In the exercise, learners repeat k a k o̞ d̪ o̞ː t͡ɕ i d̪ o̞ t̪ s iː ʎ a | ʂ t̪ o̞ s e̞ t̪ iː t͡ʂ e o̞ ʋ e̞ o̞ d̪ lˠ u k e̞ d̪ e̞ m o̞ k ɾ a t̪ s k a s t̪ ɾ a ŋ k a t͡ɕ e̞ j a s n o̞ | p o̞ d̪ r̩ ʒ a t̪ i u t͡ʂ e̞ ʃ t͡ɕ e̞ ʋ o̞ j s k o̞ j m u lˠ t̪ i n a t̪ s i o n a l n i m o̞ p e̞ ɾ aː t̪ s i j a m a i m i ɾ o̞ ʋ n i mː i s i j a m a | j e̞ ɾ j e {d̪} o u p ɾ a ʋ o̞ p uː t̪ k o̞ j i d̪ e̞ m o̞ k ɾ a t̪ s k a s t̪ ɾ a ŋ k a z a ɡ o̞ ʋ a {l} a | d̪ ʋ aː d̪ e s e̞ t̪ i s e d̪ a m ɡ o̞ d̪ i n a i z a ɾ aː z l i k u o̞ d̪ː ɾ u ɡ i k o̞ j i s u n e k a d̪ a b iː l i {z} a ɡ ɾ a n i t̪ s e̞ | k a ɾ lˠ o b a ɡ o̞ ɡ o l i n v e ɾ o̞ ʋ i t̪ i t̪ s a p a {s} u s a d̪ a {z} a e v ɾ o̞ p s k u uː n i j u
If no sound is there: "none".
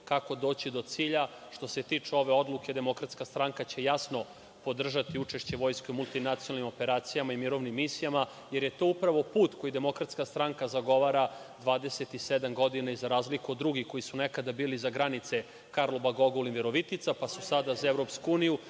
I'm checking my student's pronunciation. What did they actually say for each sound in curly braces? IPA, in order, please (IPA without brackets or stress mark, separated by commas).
t̪, ɾ, z, s, z